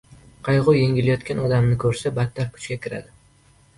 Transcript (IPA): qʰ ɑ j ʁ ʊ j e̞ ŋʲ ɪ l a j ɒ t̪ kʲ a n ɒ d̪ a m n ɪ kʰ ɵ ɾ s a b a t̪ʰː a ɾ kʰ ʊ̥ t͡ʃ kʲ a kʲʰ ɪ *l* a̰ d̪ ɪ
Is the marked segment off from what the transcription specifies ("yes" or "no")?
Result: yes